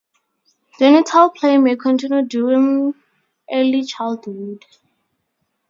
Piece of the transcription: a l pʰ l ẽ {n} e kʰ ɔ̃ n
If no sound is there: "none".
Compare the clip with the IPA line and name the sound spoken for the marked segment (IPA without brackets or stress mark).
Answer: m